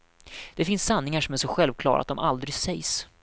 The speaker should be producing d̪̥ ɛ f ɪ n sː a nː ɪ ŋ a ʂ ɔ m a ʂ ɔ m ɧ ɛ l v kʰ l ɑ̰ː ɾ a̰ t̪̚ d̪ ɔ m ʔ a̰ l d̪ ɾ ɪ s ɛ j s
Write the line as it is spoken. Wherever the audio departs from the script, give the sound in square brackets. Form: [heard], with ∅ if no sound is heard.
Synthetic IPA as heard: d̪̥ ɛ f ɪ n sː a nː ɪ ŋ a ʂ ɔ m [æ] ʂ ɔ [∅] ɧ ɛ l v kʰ l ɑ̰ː ɾ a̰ t̪̚ d̪ ɔ m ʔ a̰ l d̪ ɾ ɪ s ɛ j s